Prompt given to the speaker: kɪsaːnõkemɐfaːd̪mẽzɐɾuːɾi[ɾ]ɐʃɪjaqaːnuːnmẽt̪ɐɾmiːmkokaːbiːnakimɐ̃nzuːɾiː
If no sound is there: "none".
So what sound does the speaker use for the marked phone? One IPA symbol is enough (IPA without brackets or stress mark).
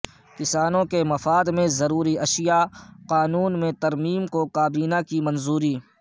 none